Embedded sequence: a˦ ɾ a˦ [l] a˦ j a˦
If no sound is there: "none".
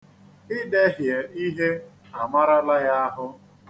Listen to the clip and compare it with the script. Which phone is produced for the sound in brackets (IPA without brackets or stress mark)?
l